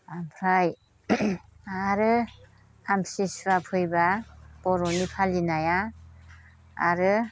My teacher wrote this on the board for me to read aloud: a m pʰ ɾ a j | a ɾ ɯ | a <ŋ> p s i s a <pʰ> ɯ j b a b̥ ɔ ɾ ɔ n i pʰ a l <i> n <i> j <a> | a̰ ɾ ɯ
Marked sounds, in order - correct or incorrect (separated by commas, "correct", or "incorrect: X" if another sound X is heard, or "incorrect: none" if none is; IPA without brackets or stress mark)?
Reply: incorrect: m, correct, correct, incorrect: a, correct